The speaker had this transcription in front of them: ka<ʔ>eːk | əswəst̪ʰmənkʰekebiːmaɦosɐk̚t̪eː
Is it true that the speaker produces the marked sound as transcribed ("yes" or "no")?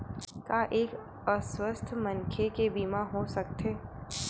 yes